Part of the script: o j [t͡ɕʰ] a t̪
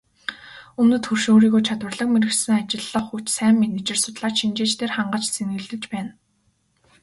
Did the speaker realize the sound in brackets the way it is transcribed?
yes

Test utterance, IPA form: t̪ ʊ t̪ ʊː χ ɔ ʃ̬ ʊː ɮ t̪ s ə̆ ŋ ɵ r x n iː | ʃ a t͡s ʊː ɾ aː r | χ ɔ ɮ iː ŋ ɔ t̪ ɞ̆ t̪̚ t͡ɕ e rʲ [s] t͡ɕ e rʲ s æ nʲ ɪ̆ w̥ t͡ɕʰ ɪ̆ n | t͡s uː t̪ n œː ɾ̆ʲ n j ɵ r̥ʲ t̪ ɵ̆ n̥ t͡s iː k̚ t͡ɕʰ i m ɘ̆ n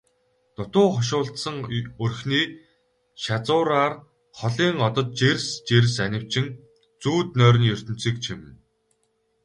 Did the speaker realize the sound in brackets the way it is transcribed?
yes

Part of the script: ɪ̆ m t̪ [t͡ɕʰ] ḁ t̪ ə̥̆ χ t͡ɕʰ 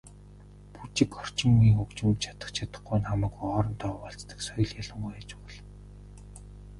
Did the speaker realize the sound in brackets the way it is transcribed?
yes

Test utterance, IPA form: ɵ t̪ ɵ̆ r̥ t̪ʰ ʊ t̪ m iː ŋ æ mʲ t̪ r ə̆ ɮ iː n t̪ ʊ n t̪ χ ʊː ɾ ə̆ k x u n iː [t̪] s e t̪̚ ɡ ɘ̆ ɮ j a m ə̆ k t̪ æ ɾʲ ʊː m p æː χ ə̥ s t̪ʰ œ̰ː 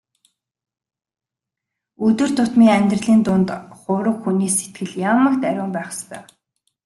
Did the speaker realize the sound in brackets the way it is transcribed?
no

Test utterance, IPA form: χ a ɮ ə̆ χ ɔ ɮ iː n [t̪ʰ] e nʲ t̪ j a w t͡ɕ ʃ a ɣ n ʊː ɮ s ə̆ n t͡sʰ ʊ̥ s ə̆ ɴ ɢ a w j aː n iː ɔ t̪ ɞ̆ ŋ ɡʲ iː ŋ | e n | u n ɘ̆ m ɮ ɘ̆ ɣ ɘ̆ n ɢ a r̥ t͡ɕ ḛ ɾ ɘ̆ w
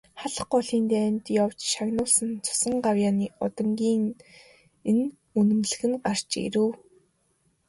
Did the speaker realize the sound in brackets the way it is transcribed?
no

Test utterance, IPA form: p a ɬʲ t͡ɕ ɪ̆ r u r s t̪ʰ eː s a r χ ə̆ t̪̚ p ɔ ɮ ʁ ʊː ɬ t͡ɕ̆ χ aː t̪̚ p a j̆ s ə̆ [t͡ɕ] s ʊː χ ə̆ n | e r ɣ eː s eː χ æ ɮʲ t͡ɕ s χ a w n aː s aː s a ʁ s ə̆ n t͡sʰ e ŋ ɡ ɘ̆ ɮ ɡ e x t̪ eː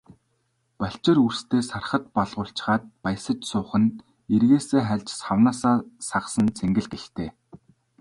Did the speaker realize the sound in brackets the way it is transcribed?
yes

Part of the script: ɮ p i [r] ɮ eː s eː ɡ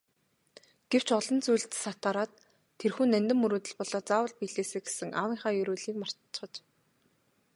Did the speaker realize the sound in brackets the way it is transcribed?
no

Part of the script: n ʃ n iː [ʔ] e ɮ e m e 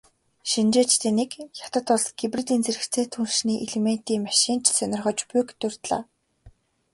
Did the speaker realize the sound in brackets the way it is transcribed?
yes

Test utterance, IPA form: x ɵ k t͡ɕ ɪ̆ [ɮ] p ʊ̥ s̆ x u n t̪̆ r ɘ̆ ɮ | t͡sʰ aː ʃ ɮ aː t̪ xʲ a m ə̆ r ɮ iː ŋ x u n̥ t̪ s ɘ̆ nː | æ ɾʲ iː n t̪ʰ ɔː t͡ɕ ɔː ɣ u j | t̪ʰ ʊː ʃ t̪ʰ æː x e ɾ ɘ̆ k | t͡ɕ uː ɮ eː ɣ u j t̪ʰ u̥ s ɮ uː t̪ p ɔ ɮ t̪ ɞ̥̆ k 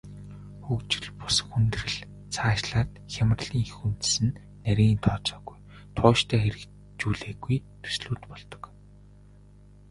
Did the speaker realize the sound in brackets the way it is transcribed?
yes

